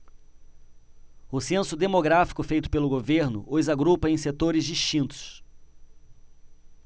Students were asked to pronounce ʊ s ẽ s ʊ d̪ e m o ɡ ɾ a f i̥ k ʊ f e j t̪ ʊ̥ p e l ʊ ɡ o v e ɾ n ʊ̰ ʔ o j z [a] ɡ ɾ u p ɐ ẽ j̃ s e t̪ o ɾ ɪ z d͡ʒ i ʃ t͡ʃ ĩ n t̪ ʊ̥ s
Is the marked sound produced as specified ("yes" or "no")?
yes